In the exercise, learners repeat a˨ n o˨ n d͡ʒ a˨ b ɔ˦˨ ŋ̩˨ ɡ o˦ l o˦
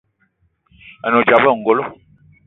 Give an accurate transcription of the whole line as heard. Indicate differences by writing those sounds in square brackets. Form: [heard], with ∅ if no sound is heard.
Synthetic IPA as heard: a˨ n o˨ [∅] d͡ʒ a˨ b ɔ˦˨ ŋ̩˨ ɡ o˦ l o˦